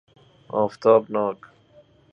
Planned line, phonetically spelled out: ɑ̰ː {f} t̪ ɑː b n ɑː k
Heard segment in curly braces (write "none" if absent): f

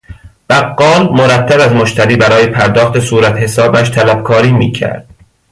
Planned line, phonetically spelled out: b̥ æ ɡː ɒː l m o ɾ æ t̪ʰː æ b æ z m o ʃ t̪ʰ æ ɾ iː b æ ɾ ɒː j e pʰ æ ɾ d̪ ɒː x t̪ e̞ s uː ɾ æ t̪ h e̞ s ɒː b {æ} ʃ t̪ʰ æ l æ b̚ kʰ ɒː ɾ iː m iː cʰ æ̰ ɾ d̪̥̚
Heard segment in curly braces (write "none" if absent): æ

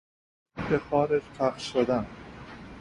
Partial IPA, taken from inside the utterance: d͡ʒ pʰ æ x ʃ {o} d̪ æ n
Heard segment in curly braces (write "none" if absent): o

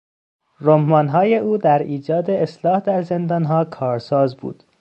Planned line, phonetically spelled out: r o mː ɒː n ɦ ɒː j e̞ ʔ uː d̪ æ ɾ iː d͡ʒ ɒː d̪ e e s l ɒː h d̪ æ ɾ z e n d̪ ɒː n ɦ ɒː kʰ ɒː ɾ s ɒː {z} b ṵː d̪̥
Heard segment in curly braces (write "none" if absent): z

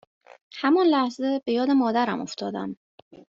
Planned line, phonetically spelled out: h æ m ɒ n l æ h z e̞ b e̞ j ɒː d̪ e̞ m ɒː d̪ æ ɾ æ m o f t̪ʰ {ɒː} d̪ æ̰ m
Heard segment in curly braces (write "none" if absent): ɒː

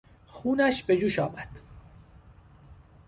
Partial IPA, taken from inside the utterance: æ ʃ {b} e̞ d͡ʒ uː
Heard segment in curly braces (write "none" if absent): b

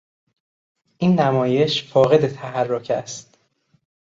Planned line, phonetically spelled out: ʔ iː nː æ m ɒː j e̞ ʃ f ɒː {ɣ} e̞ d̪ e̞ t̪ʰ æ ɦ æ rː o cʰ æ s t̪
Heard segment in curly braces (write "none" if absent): ɣ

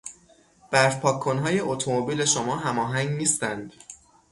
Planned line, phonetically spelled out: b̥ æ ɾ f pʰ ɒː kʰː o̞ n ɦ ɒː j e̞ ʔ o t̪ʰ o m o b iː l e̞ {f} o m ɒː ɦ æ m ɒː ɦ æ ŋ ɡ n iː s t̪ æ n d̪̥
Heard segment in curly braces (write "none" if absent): ʃ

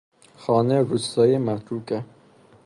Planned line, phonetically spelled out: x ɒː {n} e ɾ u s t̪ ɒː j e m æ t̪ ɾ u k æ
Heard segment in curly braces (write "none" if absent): n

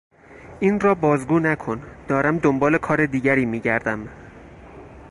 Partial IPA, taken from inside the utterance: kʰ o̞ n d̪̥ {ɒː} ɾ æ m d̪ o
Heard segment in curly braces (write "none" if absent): ɒː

